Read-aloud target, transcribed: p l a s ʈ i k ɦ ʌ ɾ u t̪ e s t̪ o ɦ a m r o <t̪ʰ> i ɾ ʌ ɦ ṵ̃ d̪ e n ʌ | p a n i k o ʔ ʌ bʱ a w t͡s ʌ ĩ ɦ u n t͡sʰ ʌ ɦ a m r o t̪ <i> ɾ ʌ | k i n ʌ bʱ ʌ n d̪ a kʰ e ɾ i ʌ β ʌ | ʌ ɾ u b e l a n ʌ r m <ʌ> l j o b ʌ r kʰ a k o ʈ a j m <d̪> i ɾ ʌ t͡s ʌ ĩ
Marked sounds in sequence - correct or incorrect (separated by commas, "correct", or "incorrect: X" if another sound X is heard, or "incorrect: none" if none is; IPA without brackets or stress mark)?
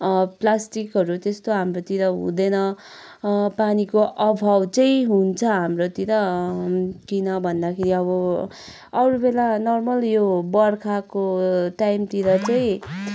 incorrect: t̪, correct, correct, incorrect: t̪